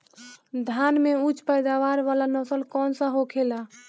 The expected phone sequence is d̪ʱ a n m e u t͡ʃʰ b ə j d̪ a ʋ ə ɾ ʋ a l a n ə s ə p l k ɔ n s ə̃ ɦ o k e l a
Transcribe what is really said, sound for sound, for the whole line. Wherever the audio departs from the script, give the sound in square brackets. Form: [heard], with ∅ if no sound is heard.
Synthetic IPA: d̪ʱ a n m e u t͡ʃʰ [p] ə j d̪ a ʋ [a] ɾ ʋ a l a n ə s ə [∅] l k ɔ n s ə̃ ɦ o [kʰ] e l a